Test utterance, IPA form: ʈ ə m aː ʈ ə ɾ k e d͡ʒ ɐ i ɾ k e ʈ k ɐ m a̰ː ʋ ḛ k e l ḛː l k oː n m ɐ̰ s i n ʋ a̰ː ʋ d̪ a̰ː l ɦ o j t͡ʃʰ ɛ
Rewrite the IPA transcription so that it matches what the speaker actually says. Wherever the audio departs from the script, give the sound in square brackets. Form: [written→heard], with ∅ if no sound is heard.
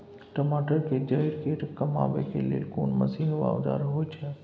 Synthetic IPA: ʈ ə m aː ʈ ə ɾ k e d͡ʒ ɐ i ɾ k e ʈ k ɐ m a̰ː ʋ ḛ k e l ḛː l k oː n m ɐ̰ s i n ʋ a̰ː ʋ d̪ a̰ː [l→ɾ] ɦ o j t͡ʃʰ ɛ